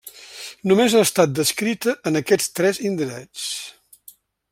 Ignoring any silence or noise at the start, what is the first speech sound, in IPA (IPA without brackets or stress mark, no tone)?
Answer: n